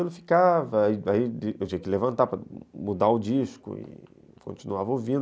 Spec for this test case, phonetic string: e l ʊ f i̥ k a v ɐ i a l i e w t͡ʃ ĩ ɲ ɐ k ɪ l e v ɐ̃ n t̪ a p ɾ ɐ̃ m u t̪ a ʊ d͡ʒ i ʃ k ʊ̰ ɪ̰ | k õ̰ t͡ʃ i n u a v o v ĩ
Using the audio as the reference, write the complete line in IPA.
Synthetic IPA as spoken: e l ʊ f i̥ k a v ɐ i a i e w t͡ʃ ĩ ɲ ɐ k ɪ l e v ɐ̃ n t̪ a p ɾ ɐ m u d̪ a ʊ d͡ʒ i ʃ k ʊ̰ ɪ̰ | k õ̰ t͡ʃ i n u a v o v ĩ